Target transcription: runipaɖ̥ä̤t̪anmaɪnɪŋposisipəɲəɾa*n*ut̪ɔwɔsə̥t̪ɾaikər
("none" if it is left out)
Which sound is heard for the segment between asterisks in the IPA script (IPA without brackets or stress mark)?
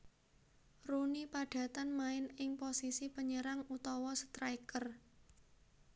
ŋ